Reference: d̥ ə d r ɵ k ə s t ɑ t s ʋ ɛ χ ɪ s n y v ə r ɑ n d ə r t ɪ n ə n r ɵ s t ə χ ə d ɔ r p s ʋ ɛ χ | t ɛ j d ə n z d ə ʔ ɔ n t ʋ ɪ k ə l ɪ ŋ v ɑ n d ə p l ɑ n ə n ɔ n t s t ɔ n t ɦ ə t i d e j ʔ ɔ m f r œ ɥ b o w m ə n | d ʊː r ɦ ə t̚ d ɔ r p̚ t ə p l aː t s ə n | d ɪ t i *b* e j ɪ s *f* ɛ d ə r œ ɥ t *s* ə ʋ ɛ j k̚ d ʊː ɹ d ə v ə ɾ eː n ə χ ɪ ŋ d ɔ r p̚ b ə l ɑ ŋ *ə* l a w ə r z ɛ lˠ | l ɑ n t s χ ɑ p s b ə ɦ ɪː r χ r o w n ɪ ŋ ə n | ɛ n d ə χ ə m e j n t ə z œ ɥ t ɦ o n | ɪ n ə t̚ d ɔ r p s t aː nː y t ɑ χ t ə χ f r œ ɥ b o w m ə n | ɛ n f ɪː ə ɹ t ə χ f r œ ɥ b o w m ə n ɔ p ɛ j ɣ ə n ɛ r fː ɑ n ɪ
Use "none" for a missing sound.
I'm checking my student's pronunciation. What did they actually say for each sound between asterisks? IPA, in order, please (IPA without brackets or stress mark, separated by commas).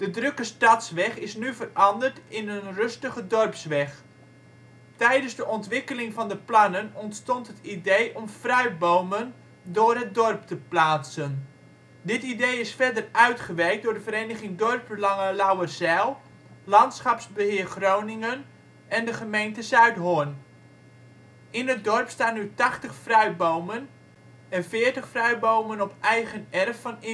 d, f, χ, ə